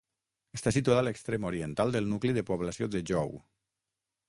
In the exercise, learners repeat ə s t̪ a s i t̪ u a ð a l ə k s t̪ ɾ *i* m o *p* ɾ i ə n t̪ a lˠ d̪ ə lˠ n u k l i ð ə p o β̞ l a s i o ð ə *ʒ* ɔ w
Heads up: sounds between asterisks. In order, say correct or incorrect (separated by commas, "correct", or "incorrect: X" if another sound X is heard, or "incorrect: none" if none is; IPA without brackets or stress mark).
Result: incorrect: e, incorrect: none, correct